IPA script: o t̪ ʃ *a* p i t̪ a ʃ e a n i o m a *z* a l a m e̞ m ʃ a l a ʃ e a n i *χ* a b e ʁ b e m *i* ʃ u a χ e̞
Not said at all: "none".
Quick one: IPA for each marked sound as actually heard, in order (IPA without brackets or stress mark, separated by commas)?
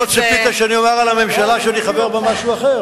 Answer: e, ʁ, χ, a